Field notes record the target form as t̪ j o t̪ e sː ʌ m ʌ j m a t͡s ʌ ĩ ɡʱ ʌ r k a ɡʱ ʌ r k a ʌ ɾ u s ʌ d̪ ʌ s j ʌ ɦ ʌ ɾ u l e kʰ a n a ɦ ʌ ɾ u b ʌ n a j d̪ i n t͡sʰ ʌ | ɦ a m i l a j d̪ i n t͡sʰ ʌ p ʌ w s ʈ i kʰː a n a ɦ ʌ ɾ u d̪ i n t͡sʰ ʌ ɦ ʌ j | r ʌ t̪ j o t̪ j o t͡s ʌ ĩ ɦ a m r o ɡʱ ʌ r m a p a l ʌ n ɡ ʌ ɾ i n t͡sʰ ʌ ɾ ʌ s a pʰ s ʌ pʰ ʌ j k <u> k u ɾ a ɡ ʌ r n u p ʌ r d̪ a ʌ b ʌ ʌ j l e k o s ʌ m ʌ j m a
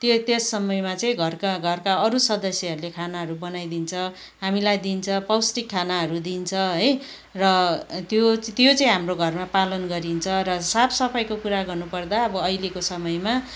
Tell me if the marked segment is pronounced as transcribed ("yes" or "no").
no